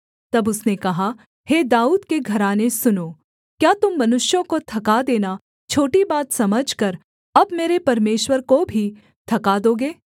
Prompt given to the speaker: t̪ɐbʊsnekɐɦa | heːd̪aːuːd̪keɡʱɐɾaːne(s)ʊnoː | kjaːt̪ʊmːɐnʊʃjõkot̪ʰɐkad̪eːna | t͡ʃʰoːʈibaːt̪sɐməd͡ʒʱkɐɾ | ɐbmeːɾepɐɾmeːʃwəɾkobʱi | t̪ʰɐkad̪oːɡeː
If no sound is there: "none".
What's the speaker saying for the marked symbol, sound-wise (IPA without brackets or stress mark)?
s